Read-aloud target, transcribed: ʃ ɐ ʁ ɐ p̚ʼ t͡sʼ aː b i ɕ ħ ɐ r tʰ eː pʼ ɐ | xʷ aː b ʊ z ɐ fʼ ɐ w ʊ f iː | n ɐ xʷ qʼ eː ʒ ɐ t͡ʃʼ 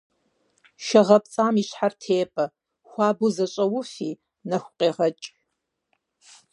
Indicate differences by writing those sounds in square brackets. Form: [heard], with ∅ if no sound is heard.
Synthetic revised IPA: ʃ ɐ ʁ ɐ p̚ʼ t͡sʼ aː [m] i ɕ ħ [a] r tʰ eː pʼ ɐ | xʷ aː b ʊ z ɐ [ɕʼ] ɐ w ʊ f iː | n ɐ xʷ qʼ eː [ʁ] ɐ t͡ʃʼ